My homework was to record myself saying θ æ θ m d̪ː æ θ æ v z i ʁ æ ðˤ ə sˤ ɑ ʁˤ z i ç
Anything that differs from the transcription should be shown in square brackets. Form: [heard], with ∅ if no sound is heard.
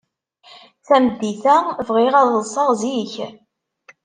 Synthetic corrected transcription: θ æ [∅] m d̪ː [i] θ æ v [ʁ] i ʁ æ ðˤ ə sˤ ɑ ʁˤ z i ç